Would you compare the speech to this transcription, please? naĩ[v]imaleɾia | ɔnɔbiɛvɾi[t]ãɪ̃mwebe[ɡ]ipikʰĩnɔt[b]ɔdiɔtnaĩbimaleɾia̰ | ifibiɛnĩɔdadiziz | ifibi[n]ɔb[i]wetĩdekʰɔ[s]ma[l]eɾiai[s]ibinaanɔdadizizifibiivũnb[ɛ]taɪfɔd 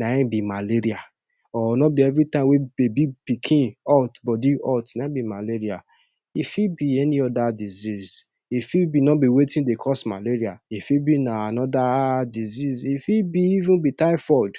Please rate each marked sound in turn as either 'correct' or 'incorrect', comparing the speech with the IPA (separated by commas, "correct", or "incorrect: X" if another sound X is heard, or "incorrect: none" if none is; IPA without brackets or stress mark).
incorrect: b, correct, incorrect: b, correct, correct, correct, correct, correct, incorrect: f, incorrect: i